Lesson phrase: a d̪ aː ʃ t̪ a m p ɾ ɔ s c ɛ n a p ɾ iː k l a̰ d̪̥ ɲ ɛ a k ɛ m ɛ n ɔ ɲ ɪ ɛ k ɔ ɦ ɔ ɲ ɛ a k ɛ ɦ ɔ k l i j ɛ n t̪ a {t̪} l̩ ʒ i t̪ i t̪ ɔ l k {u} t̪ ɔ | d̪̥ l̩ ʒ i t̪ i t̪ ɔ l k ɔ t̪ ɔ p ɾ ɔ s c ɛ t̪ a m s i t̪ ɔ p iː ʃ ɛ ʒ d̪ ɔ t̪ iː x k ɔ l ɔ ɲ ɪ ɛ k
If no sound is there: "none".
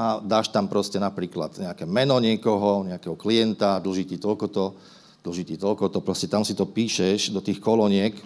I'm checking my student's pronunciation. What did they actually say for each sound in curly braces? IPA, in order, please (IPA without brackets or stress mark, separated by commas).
d̪, ɔ